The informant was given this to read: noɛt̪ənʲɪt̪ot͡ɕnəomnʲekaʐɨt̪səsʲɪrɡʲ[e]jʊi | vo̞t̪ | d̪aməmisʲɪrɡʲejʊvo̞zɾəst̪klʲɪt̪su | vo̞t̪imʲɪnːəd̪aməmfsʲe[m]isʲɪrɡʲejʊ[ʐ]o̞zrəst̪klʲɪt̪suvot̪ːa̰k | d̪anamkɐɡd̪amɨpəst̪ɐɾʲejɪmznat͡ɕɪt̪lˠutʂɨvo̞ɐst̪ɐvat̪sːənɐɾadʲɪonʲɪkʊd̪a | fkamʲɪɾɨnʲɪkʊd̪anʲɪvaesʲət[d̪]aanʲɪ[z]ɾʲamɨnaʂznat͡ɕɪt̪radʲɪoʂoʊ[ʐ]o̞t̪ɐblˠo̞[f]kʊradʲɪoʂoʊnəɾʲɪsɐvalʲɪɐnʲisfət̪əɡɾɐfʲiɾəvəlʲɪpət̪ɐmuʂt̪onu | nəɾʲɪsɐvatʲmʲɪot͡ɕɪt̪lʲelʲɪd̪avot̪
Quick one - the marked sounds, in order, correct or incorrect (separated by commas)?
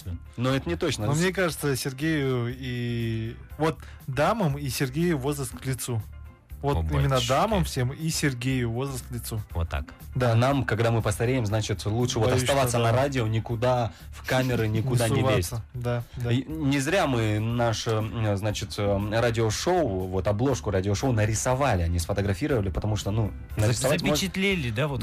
correct, correct, incorrect, correct, correct, incorrect, incorrect